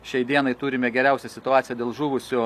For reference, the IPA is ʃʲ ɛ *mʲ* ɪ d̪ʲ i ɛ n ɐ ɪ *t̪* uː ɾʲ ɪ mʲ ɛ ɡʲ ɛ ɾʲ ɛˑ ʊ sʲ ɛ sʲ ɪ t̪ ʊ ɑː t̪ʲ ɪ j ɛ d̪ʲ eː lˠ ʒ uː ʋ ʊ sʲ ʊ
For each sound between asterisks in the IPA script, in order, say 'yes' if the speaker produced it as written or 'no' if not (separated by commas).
no, yes